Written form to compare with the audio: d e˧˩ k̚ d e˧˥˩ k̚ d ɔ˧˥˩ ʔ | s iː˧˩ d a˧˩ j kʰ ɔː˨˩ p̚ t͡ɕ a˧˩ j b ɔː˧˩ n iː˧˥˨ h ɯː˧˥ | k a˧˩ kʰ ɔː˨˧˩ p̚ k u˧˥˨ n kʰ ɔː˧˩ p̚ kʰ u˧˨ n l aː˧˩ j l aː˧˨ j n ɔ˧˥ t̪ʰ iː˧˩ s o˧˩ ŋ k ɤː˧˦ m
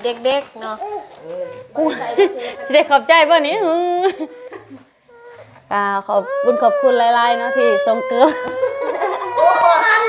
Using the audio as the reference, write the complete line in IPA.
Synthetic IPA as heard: d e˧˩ k̚ d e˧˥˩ k̚ n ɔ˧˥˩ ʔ | s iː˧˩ d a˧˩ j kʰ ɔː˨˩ p̚ t͡ɕ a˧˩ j b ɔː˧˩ n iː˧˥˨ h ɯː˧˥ | k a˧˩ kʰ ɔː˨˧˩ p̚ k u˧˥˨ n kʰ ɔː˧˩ p̚ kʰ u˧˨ n l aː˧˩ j l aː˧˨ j n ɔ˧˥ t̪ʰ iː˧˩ s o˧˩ ŋ k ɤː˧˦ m